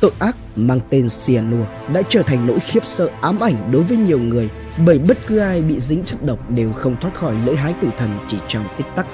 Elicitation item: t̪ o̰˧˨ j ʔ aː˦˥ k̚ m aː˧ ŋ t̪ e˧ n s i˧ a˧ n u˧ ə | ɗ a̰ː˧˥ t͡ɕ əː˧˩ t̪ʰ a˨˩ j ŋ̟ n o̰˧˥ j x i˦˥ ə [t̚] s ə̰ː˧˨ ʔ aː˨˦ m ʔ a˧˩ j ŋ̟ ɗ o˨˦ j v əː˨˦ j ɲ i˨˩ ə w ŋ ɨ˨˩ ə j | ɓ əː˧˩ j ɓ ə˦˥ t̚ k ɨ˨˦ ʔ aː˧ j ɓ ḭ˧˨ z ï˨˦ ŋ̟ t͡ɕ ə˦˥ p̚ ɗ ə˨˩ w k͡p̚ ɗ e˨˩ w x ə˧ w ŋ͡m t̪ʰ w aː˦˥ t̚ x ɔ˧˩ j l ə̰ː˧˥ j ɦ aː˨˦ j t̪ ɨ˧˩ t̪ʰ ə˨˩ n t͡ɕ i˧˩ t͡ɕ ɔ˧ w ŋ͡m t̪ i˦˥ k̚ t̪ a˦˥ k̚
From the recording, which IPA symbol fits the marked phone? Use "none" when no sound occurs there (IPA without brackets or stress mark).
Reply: p̚